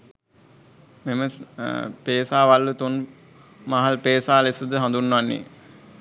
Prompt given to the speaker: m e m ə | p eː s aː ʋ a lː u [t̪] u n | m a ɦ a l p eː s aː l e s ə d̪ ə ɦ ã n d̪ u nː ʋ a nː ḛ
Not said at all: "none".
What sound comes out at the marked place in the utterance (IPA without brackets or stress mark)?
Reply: t̪